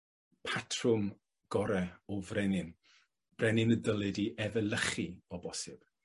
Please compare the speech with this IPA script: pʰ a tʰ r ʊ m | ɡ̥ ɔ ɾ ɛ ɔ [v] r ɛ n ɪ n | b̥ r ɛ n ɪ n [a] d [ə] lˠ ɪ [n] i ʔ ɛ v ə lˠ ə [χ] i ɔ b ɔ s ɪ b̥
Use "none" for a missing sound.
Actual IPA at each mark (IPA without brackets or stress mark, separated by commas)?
v, ə, ə, d, χ